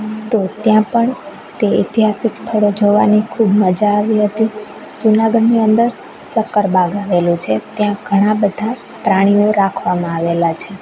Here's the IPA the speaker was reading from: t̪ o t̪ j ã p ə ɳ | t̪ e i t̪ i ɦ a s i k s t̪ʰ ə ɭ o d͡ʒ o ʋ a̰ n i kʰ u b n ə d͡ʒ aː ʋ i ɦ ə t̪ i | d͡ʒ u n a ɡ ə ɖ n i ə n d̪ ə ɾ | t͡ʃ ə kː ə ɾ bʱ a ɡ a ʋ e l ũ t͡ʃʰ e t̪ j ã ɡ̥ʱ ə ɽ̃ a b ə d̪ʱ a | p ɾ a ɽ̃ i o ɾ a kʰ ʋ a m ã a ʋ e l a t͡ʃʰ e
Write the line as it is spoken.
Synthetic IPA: t̪ o t̪ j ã p ə ɳ | t̪ e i t̪ i ɦ a s i k s t̪ʰ ə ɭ o d͡ʒ o ʋ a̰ n i kʰ u b m ə d͡ʒ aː ʋ i ɦ ə t̪ i | d͡ʒ u n a ɡ ə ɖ n i ə n d̪ ə ɾ | t͡ʃ ə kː ə ɾ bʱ a ɡ a ʋ e l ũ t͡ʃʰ e t̪ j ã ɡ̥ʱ ə ɽ̃ a b ə d̪ʱ a | p ɾ a ɽ̃ i o ɾ a kʰ ʋ a m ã a ʋ e l a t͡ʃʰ e